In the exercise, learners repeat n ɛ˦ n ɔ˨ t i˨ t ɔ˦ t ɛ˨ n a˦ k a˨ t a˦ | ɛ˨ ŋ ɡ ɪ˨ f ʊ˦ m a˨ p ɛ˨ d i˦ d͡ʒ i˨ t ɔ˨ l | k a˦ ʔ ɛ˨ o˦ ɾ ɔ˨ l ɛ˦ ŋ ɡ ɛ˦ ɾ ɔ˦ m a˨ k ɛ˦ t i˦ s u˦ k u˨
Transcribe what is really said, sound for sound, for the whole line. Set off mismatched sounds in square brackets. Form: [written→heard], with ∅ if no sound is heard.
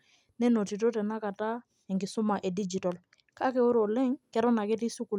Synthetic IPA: n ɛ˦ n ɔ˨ t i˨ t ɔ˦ t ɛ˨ n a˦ k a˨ t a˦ | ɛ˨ ŋ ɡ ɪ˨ [f→s] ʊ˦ m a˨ [p→ʔ] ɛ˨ d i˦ d͡ʒ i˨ t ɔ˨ l | k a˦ [ʔ→k] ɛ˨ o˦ ɾ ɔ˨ l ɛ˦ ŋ [ɡ→k] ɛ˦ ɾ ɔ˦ [m→n] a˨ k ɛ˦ t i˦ s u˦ k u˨